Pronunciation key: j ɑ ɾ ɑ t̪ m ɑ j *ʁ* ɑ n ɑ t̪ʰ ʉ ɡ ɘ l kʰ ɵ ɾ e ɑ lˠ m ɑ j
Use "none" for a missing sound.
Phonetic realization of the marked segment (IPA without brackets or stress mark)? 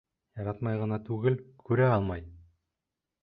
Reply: ʁ